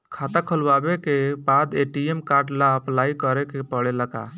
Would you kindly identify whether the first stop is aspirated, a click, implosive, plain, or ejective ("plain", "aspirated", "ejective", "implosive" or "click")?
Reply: aspirated